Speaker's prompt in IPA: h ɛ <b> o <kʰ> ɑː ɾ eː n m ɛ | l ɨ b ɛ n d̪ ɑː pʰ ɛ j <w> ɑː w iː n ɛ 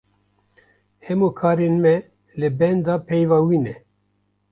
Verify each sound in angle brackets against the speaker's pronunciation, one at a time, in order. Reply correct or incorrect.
incorrect: m, correct, incorrect: v

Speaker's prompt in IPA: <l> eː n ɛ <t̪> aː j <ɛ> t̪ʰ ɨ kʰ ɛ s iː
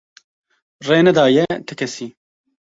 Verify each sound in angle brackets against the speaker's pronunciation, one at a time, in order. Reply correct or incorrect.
incorrect: r, incorrect: d̪, correct

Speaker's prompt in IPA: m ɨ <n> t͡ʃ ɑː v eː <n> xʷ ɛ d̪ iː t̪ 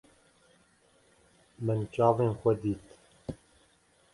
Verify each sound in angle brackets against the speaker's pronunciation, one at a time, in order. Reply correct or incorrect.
correct, correct

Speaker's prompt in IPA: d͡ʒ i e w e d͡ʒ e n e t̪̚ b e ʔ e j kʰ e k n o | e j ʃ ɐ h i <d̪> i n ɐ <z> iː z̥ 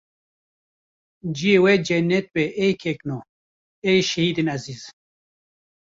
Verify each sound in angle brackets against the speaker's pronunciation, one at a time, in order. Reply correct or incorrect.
correct, correct

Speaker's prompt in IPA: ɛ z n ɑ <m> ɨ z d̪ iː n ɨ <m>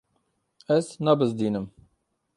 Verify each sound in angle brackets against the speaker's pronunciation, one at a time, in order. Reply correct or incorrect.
incorrect: b, correct

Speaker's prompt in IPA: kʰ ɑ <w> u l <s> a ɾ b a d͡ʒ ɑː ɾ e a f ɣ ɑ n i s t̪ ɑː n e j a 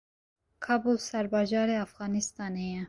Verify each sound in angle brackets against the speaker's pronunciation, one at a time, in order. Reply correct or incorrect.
incorrect: b, correct

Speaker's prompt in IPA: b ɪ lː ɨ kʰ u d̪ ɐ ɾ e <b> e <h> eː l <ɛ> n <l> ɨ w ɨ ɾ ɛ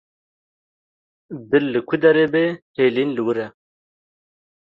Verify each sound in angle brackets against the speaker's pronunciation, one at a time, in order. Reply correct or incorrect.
correct, correct, incorrect: i, correct

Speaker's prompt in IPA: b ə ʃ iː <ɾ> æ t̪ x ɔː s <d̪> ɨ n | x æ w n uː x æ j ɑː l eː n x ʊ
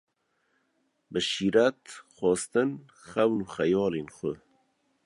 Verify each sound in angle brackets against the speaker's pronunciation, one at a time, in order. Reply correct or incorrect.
correct, incorrect: t̪

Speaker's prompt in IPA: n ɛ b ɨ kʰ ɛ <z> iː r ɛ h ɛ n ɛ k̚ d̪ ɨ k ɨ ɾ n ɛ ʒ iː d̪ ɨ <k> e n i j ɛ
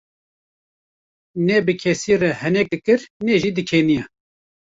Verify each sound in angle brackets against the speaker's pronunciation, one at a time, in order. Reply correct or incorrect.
incorrect: s, incorrect: kʰ

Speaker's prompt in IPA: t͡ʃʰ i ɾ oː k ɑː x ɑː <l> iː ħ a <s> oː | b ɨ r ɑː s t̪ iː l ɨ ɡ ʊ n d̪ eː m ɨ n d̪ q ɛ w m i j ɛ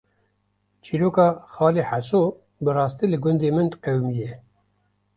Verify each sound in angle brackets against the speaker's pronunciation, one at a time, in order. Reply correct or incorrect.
correct, correct

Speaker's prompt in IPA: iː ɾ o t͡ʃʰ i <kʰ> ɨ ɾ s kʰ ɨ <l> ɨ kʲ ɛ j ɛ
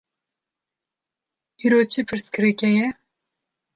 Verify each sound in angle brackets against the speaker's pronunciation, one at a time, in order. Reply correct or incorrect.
incorrect: pʰ, incorrect: ɾ

